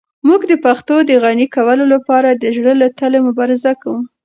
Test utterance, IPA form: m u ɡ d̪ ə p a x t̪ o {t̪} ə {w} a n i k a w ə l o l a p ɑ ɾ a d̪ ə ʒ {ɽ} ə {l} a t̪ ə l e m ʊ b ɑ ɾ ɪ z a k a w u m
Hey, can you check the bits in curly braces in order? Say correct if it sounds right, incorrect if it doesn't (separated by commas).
incorrect, incorrect, correct, correct